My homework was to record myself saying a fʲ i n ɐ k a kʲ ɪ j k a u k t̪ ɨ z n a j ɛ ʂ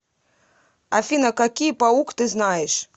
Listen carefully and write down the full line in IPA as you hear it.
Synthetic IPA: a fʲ i n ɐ k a kʲ i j p a u k t̪ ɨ z n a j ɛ ʂ